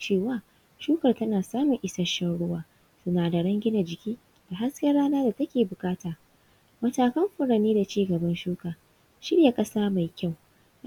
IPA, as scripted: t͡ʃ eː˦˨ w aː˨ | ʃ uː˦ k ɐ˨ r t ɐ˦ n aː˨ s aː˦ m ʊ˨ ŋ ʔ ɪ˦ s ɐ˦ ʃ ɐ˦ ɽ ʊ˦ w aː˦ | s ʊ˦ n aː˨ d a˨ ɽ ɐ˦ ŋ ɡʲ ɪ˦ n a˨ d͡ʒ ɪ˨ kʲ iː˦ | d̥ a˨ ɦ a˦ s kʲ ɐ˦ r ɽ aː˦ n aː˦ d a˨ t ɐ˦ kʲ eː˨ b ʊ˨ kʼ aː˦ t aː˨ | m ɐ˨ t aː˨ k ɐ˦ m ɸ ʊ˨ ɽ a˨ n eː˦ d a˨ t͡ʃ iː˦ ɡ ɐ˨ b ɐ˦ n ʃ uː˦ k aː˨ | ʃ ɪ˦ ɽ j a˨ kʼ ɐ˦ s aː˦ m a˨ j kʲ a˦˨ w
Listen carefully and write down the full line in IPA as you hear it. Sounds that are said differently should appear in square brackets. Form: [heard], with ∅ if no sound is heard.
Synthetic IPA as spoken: t͡ʃ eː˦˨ w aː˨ | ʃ uː˦ k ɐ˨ r t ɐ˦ n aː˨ s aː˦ m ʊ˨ ŋ ʔ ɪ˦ s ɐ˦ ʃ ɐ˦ ɽ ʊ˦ w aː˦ | s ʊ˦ n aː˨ d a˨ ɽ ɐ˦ ŋ ɡʲ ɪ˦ n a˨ d͡ʒ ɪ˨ kʲ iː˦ | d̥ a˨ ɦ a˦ s kʲ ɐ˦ r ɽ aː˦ n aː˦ d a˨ t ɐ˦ kʲ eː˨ b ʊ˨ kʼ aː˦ t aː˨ | m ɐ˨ t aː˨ k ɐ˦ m ɸ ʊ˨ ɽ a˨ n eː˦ d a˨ t͡ʃ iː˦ ɡ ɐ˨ b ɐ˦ n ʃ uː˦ k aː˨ | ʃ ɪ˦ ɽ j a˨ kʼ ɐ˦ s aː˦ m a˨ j kʲ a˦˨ w